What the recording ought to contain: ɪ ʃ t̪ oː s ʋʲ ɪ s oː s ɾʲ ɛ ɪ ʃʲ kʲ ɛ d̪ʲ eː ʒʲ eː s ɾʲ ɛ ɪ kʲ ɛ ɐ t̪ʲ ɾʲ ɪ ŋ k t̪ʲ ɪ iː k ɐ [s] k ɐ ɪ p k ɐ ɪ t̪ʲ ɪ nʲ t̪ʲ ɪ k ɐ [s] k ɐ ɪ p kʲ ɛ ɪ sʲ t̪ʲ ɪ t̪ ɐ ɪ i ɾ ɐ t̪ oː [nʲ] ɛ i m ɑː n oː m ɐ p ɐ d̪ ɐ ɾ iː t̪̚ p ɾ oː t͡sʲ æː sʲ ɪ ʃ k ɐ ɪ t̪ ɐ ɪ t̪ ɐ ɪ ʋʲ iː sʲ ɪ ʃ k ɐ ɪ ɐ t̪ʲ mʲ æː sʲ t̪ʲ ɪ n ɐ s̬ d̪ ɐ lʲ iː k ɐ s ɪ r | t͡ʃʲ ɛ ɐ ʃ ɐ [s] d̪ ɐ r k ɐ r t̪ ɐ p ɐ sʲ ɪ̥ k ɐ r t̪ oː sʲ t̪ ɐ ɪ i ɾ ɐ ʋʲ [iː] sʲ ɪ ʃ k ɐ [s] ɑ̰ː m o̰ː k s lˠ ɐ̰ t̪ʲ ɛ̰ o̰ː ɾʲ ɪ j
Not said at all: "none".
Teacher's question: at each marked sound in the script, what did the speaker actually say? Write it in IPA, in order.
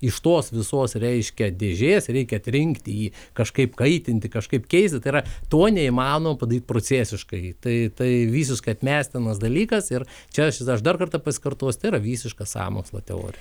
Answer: ʃ, ʃ, nʲ, ʃ, iː, s

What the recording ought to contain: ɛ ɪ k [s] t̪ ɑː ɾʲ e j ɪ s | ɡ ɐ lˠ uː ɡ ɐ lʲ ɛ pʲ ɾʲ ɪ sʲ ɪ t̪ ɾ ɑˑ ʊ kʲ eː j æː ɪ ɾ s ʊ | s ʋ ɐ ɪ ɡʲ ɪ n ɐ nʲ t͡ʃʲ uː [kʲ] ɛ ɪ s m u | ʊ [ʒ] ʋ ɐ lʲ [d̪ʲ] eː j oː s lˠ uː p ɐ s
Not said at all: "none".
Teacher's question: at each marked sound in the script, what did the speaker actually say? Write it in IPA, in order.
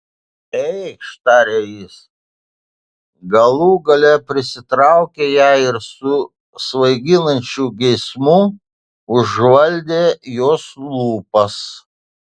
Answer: ʃ, ɡʲ, ʒ, d̪ʲ

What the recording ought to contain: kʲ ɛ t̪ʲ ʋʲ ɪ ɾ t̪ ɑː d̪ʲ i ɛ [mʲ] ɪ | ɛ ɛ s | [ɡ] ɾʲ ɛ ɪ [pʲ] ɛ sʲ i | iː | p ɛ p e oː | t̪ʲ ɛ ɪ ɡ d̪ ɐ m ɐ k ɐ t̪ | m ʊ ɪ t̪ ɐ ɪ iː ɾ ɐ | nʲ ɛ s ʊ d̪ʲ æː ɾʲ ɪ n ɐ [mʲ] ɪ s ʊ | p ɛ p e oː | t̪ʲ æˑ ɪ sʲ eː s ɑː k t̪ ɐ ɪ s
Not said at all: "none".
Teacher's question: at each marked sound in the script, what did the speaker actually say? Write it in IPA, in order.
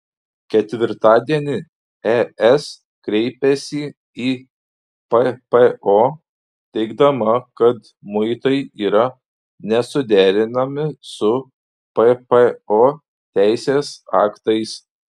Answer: nʲ, k, pʲ, mʲ

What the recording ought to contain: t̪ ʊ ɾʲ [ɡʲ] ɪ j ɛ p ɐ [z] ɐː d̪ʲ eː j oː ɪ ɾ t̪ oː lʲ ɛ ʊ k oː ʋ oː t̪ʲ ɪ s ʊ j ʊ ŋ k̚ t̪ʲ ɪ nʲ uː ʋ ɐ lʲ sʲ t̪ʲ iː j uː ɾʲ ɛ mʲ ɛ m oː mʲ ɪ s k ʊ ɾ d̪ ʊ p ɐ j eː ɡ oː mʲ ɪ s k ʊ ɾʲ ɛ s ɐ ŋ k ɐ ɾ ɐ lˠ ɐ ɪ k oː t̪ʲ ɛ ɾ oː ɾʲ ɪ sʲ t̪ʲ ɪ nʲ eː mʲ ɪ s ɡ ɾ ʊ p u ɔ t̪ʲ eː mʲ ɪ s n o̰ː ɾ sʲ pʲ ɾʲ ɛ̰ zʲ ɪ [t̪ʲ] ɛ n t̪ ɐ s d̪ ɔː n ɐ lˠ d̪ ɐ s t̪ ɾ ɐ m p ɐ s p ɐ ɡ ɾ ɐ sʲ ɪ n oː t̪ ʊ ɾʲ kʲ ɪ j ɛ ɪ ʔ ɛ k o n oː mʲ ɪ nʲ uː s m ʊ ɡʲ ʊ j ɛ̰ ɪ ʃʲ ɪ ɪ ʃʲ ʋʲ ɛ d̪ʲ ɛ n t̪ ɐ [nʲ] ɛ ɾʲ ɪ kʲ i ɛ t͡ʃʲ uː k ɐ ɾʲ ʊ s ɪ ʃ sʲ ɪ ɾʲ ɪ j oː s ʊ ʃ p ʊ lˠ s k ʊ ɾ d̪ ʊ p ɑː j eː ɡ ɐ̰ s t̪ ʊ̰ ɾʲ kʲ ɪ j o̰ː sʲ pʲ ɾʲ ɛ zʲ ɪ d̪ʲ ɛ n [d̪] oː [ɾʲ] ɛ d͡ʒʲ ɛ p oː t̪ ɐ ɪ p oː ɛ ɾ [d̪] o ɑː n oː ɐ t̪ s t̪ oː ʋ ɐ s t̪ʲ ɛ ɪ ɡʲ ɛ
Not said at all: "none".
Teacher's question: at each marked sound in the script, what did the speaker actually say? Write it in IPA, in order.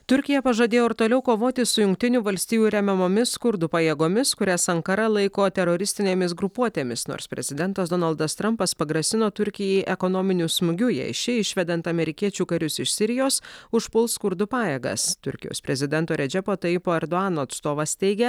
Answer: kʲ, ʒ, d̪ʲ, mʲ, t̪, ɾʲ, d̪

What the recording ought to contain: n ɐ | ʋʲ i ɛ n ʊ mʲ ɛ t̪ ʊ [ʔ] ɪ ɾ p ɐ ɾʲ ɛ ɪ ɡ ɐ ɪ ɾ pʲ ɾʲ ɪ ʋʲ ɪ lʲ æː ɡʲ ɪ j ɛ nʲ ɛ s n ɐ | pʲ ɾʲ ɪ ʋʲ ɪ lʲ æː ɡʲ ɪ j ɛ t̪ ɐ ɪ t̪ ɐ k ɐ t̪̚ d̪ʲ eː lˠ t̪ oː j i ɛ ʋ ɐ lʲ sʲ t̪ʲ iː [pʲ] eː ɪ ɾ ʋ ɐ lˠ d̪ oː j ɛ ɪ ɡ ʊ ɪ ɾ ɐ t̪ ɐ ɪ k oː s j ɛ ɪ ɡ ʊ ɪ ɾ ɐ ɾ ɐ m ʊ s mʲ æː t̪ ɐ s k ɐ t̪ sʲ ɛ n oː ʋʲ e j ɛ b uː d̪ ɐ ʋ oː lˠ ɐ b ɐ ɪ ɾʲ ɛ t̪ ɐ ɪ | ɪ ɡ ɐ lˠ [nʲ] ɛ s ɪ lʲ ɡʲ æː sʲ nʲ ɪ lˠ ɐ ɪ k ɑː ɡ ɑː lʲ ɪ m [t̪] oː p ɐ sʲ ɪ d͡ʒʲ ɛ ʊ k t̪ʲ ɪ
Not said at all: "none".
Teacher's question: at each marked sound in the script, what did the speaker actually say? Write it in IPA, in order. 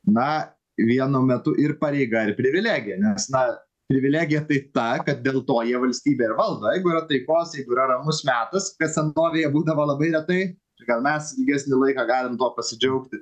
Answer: ʔ, bʲ, mʲ, t̪

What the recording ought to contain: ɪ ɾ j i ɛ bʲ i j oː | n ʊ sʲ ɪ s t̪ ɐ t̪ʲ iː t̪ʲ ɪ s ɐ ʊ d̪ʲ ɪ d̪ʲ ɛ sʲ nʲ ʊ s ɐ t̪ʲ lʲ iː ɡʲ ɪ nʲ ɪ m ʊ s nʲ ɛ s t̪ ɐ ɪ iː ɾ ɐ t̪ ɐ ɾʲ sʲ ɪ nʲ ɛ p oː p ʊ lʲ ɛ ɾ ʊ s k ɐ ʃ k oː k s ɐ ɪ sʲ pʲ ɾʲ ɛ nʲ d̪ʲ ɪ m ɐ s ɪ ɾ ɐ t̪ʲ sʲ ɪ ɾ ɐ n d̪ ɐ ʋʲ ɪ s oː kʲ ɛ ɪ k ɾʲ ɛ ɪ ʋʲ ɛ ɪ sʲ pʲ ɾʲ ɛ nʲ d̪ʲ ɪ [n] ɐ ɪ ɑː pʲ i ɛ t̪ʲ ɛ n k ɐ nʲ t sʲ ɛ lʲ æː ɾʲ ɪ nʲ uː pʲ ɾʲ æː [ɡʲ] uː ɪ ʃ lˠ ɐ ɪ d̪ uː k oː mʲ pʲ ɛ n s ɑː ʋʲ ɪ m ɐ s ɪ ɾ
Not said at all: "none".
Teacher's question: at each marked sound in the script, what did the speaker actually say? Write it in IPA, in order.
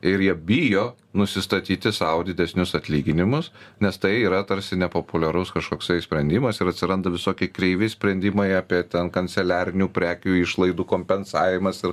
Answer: m, kʲ

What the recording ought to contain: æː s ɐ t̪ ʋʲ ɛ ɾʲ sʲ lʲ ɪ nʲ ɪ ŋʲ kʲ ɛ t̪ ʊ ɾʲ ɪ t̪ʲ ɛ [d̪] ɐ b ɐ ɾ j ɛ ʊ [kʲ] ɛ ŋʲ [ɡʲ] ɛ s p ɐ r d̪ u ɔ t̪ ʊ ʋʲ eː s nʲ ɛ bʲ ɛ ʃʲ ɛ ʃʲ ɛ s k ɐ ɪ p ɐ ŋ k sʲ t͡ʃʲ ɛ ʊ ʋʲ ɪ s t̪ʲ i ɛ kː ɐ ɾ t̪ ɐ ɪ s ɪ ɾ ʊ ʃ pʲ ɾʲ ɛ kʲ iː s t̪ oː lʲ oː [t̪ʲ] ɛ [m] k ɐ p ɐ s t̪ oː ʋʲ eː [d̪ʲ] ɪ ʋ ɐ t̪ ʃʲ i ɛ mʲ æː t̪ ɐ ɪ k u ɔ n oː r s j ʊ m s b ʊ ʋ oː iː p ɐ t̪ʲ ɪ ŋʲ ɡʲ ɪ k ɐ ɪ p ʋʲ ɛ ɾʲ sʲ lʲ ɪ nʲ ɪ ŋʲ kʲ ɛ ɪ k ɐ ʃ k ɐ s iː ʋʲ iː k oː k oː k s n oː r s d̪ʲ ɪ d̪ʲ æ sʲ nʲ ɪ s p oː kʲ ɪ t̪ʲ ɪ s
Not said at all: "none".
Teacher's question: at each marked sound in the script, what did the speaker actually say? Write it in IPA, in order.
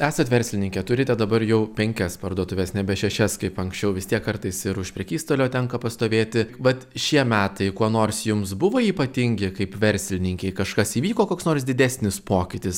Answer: d̪, pʲ, kʲ, t̪ʲ, ŋ, t̪ʲ

